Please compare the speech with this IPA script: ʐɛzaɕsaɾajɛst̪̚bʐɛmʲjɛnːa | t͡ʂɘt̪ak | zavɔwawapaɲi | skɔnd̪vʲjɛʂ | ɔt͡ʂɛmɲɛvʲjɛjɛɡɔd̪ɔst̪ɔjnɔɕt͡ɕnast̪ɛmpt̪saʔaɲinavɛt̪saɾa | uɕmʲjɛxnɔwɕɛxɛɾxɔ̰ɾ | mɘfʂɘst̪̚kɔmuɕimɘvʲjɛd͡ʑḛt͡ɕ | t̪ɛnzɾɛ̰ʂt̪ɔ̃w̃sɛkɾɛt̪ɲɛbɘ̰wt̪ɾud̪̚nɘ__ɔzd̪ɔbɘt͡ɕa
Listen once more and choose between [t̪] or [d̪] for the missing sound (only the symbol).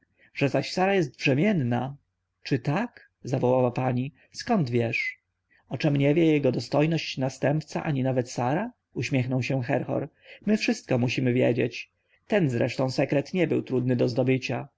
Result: d̪